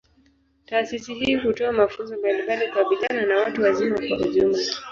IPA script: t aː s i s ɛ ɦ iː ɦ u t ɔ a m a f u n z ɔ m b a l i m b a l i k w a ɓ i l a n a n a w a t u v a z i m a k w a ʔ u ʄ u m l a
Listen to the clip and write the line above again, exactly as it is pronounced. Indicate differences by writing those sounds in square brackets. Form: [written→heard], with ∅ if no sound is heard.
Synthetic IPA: t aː s i s [ɛ→i] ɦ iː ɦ u t ɔ a m a f u n z ɔ m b a l i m b a l i k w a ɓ i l a n a n a w a t u [v→w] a z i m a k w a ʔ u ʄ u m l a